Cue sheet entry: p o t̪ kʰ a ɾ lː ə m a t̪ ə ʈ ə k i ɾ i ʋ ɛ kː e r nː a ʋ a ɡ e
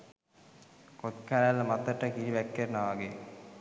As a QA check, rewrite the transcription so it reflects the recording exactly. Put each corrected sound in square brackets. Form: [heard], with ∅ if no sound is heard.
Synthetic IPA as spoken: [k] o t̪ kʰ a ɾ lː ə m a t̪ ə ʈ ə k i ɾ i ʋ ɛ kː e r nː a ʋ a ɡ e